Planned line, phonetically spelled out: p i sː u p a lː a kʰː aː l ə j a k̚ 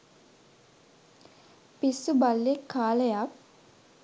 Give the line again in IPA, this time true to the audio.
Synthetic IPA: p i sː u b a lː e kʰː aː l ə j a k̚

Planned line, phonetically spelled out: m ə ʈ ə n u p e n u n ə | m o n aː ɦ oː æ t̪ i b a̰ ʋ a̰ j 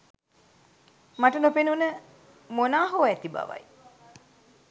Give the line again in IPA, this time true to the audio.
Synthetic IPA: m a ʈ ə n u p e n u n ə | m o n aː ɦ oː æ t̪ i b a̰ ʋ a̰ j

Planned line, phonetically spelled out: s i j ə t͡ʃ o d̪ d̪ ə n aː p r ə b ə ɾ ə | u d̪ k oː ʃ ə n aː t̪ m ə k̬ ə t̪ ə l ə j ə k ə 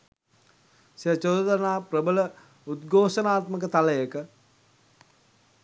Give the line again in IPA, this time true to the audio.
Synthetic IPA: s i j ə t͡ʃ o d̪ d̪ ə n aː p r ə b ə l ə | u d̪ ɡ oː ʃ ə n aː t̪ m ə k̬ ə t̪ a l ə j ə k ə

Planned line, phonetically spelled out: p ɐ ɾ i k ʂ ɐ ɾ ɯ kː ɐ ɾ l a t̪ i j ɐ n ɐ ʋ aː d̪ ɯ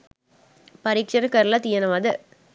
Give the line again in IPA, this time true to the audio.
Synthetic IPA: p ɐ ɾ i k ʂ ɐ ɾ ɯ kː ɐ ɾ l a t̪ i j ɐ n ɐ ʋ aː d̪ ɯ

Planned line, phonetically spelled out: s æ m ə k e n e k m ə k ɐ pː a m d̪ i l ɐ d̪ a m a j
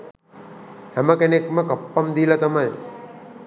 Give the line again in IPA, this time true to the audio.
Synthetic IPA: h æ m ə k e n e k m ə k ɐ pː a m d̪ i l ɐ t̪ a m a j

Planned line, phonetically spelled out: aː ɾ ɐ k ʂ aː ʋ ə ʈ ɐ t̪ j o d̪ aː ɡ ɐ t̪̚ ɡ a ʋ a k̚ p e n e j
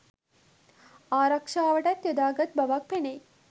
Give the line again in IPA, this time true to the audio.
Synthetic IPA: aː ɾ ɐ k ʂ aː ʋ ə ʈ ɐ t̪ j o d̪ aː ɡ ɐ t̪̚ b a ʋ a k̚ p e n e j

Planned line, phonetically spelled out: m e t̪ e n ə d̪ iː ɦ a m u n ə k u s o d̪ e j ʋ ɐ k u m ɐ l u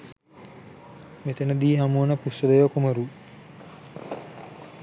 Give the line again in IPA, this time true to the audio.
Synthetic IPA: m e t̪ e n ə d̪ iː ɦ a m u n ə p u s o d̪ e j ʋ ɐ k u m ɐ ɾ u

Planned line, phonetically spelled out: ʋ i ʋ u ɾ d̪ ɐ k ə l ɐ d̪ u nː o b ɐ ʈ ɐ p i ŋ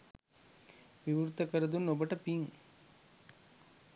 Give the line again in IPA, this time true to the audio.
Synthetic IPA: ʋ i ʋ u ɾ t̪ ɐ k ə ɾ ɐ d̪ u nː o b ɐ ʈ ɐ p i ŋ

